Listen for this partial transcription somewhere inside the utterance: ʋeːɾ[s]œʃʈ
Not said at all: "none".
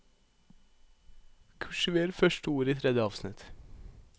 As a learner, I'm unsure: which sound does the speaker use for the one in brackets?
f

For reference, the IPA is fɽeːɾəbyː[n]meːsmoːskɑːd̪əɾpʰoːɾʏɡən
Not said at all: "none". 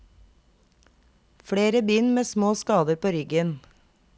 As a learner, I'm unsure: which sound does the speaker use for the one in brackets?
n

